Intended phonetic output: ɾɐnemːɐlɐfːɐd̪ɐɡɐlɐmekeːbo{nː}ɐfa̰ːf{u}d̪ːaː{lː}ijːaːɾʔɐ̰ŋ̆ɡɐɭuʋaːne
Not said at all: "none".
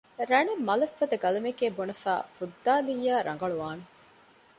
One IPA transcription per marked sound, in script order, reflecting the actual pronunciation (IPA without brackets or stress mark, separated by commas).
n, u, l